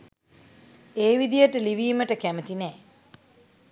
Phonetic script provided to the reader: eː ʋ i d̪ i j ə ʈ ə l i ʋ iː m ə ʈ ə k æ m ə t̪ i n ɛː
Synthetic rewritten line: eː ʋ i d̪ i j ə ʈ ə l i ʋ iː m ə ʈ ə k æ m ə t̪ i n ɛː